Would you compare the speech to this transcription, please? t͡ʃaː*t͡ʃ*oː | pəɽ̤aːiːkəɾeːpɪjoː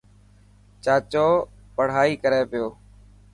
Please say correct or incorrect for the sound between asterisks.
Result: correct